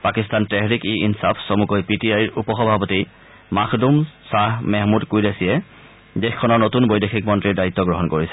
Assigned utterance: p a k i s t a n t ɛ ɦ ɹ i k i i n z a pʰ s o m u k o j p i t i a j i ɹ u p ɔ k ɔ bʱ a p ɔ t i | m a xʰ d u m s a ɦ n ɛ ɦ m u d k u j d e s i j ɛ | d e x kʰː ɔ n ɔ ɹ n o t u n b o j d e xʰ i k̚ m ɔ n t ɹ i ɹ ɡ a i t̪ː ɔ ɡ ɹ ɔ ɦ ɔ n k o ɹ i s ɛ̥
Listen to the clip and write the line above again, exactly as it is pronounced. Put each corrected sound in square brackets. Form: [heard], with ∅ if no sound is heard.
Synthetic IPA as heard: p a k i s t a n t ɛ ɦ ɹ i k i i n [s] a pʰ s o m u k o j p i t i a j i ɹ u p ɔ [x] ɔ bʱ a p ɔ t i | m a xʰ d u m s a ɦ [m] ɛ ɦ m u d k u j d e s i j ɛ | d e x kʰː ɔ n ɔ ɹ n o t u n b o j d e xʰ i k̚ m ɔ n t ɹ i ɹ [d] a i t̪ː ɔ ɡ ɹ ɔ ɦ ɔ n k o ɹ i s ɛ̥